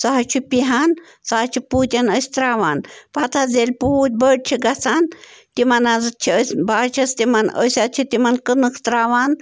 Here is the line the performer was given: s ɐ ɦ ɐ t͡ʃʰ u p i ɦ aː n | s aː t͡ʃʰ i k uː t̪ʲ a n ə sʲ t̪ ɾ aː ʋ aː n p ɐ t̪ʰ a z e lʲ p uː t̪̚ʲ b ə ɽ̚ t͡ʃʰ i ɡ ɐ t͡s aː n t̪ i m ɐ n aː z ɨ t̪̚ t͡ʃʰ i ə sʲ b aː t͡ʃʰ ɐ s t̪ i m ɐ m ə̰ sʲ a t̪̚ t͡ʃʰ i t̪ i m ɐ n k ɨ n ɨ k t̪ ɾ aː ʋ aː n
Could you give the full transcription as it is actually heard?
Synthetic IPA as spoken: s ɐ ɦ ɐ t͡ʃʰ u p i ɦ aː n | s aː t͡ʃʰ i p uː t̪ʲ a n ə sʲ t̪ ɾ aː ʋ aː n p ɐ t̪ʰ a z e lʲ p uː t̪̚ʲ b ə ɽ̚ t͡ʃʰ i ɡ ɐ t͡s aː n t̪ i m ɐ n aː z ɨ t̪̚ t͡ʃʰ i ə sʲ b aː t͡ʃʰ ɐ s t̪ i m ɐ n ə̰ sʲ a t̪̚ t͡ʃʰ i t̪ i m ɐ n k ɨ n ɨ k t̪ ɾ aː ʋ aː n